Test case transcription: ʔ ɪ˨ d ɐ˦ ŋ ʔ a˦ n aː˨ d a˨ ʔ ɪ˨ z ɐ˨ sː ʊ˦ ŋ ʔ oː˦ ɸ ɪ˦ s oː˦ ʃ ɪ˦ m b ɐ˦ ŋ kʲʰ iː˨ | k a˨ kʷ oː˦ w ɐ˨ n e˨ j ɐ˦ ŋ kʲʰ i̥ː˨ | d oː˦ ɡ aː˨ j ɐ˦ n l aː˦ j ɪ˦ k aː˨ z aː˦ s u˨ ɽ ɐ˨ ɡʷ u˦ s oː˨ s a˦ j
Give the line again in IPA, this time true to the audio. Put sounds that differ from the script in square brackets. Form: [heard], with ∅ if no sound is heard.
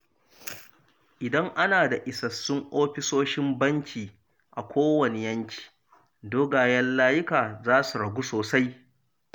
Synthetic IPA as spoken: ʔ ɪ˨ d ɐ˦ ŋ ʔ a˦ n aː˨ d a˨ ʔ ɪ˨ [s] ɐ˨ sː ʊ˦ ŋ ʔ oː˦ ɸ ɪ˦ s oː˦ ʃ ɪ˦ m b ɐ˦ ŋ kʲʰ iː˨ | [ʔ] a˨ kʷ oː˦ w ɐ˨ n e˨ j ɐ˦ ŋ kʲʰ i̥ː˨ | d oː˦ ɡ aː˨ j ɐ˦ n l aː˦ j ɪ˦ k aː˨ z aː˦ s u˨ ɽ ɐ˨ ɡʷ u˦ s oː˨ s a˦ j

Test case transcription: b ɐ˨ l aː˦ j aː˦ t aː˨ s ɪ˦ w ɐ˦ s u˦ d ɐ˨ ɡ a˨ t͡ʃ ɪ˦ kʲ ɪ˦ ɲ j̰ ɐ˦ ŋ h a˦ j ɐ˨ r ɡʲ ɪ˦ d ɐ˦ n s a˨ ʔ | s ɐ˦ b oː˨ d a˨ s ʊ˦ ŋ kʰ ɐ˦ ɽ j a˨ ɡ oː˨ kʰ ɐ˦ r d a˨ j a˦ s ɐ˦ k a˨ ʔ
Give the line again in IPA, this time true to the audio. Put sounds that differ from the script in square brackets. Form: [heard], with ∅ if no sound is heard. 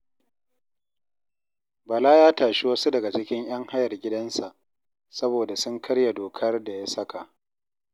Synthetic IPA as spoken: b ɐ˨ l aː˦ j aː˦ t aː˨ [ʃ] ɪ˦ w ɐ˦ s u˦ d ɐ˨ ɡ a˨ t͡ʃ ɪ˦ kʲ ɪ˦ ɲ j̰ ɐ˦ ŋ h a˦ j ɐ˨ r ɡʲ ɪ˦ d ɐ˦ n s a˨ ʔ | s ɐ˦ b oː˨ d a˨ s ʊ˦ ŋ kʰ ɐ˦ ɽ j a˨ [d] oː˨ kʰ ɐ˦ r d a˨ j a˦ s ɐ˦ k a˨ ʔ

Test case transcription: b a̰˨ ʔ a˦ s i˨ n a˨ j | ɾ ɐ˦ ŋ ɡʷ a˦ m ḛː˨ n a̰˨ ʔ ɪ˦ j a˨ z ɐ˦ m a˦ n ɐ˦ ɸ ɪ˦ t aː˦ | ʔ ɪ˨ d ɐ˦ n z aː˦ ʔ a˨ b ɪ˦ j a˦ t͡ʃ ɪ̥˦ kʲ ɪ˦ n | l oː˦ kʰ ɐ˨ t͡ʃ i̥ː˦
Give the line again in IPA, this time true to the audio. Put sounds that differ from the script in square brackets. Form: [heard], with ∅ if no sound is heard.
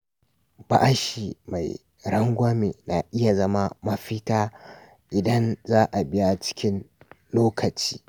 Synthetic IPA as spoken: b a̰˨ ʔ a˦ [ʃ] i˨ [m] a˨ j | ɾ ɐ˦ ŋ ɡʷ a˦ m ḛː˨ n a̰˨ ʔ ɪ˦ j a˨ z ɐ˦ m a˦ [m] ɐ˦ ɸ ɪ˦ t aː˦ | ʔ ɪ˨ d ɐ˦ n z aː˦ ʔ a˨ b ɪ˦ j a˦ t͡ʃ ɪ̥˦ kʲ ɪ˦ n | l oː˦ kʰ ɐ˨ t͡ʃ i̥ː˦

